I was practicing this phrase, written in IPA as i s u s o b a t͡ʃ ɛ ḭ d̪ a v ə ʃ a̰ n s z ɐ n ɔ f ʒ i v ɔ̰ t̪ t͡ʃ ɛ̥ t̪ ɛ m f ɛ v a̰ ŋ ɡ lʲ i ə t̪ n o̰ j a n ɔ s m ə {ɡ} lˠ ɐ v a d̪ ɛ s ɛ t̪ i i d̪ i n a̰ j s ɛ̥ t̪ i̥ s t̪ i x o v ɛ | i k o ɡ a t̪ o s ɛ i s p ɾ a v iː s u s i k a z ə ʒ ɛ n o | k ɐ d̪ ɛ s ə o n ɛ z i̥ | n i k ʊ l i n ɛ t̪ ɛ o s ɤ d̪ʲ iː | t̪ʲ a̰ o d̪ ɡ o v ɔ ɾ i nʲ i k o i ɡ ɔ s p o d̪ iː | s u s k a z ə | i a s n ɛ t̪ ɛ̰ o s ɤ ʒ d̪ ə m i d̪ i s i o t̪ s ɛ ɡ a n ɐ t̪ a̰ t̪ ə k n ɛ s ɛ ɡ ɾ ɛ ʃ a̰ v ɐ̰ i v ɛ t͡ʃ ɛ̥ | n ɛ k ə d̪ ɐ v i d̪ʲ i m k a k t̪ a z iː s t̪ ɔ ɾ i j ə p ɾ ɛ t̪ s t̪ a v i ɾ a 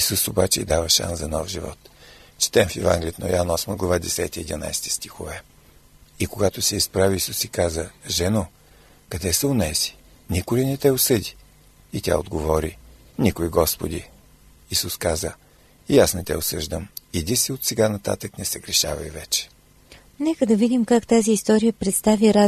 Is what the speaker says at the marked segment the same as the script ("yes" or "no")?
yes